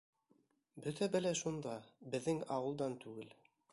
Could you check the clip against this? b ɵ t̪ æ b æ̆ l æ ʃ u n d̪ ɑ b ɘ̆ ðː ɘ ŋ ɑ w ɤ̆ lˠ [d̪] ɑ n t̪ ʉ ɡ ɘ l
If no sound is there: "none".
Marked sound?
d̪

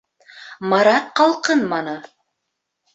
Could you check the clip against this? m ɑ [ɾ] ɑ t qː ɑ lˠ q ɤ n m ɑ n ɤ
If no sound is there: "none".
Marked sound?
ɾ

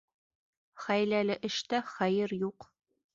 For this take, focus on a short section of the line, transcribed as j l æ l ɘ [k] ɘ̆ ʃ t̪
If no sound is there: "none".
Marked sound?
ʔ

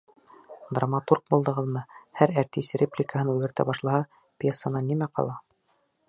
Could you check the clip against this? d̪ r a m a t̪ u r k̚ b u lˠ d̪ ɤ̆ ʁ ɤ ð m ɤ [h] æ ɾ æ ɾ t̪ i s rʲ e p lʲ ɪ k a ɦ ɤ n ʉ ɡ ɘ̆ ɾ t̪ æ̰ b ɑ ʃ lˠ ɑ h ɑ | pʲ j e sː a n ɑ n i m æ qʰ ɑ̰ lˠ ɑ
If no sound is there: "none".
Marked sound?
h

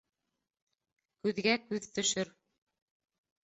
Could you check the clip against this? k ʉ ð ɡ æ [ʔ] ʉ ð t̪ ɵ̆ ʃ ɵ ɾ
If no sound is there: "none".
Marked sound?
k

